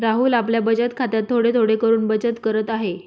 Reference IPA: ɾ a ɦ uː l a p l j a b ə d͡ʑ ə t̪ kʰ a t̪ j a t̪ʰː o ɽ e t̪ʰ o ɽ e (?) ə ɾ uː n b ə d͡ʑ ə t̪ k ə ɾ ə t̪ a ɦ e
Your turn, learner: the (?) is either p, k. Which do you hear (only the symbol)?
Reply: k